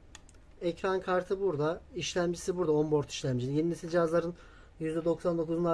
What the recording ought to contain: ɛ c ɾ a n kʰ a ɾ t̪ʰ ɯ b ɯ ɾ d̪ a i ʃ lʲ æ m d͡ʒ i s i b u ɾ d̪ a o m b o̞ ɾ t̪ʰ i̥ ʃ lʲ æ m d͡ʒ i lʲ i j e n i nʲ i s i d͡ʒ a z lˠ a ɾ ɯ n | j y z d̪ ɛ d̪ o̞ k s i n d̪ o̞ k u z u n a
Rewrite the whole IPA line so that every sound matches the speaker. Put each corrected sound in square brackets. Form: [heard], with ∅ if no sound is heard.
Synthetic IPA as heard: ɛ c ɾ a n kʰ a ɾ t̪ʰ ɯ b [u] ɾ d̪ a i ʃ lʲ æ m d͡ʒ i s i b u ɾ d̪ a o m b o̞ ɾ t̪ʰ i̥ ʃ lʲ æ m d͡ʒ i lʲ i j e n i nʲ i s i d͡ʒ a z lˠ a ɾ ɯ n | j y z d̪ ɛ d̪ o̞ k s [a] n d̪ o̞ k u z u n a